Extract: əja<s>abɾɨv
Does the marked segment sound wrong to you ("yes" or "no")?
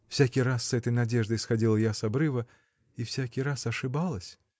no